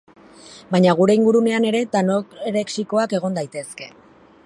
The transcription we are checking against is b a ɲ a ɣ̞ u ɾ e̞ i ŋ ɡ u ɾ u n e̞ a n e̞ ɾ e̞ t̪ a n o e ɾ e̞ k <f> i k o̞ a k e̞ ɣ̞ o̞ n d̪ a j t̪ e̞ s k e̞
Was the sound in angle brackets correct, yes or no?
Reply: no